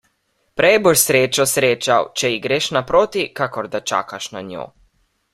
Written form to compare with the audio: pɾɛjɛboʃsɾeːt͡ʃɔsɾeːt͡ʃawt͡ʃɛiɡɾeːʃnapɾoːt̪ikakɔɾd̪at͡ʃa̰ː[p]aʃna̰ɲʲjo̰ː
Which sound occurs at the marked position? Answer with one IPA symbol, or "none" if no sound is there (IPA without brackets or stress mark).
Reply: k